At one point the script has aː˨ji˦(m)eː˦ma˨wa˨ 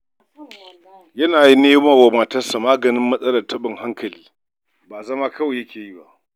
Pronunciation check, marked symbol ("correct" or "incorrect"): incorrect